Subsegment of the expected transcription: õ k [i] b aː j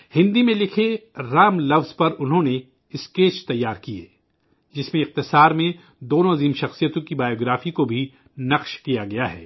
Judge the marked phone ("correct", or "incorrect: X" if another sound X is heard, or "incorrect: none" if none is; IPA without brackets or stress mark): correct